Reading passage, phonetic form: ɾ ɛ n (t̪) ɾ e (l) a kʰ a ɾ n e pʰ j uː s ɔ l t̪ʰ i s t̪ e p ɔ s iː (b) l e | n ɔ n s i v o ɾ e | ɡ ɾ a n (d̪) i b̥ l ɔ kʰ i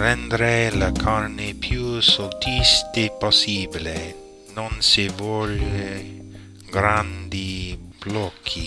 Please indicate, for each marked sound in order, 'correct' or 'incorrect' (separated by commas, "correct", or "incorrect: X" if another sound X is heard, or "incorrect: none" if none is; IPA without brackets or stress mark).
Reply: incorrect: d̪, correct, correct, correct